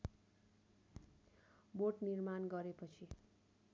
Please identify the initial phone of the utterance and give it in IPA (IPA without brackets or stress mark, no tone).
b